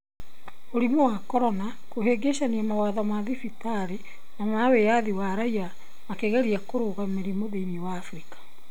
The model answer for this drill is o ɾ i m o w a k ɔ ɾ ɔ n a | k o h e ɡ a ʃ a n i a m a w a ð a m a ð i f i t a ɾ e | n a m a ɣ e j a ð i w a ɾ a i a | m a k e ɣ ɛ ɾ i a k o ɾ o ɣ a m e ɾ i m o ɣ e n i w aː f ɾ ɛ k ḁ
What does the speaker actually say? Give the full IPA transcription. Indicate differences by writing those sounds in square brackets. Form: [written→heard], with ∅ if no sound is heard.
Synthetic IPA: o ɾ i m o w a k ɔ ɾ ɔ n a | k o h e ɡ [a→e] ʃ a n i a m a w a ð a m a ð i f i t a ɾ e | n a m a [ɣ→w] e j a ð i w a ɾ a i a | m a k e ɣ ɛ ɾ i a k o ɾ o ɣ a m e ɾ i m o [ɣ→ð] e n i w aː f ɾ [ɛ→i] k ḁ